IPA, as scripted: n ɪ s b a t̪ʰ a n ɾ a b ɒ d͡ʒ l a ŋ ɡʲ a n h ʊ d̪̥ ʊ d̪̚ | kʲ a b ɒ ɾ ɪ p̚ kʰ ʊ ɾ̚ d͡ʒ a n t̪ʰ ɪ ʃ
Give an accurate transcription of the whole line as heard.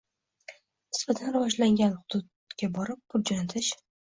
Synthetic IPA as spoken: n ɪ s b a t̪ʰ a n ɾ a v ɒ d͡ʒ l a ŋ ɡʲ a n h ʊ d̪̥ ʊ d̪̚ | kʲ a b ɒ ɾ ɪ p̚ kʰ ʊ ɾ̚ d͡ʒ a n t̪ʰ ɪ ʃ